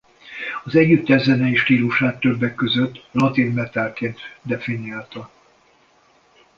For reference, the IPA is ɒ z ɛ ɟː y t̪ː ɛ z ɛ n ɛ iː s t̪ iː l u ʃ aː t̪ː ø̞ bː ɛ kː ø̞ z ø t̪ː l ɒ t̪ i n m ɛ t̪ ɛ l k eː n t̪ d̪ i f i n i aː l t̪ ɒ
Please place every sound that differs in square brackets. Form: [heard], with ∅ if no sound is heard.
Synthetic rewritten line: ɒ z ɛ ɟː y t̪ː ɛ z ɛ n ɛ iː [ʃ] t̪ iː l u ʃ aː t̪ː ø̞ bː ɛ kː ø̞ z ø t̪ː l ɒ t̪ i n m ɛ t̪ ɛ l k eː n t̪ d̪ [ɛ] f i n i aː l t̪ ɒ

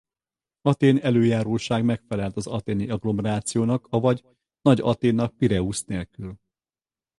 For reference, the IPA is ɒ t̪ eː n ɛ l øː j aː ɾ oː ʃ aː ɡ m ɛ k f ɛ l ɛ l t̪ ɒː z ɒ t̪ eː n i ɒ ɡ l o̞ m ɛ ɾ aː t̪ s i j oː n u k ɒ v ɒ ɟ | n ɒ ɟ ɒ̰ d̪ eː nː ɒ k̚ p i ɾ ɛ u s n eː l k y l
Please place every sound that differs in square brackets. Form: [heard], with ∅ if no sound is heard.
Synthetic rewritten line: ɒ t̪ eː n ɛ l øː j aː ɾ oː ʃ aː ɡ m ɛ k f ɛ l ɛ l t̪ [ɒ] z ɒ t̪ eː n i ɒ ɡ l o̞ m ɛ ɾ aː t̪ s i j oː n [ɒ] k ɒ v ɒ ɟ | n ɒ ɟ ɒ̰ [t̪] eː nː ɒ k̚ p i ɾ ɛ u s n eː l k y l

